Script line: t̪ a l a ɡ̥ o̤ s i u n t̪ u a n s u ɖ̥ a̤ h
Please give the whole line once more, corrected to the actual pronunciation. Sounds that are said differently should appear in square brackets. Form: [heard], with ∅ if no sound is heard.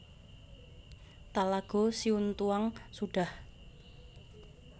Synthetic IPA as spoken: t̪ a l a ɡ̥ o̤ s i u n t̪ u a [ŋ] s u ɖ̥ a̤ h